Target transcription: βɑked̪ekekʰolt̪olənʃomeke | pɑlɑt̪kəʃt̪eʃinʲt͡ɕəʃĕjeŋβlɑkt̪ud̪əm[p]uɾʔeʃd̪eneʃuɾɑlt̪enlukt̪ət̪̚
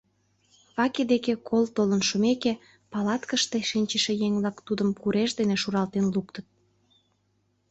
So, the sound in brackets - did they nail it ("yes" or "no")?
no